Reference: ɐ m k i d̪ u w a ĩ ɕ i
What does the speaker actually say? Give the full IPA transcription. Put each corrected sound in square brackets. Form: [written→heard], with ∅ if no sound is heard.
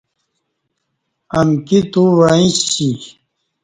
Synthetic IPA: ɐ m k i [d̪→t̪] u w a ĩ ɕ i